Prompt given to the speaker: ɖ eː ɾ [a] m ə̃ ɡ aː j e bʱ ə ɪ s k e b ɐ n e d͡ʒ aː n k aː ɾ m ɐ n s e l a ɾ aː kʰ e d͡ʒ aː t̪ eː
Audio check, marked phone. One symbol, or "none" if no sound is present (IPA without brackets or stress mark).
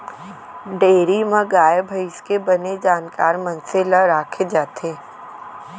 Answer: i